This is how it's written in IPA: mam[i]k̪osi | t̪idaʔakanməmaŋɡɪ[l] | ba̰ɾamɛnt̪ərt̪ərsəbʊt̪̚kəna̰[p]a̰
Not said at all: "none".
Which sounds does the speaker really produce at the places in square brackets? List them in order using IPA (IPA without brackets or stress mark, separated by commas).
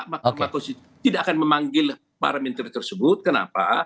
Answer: a, l, p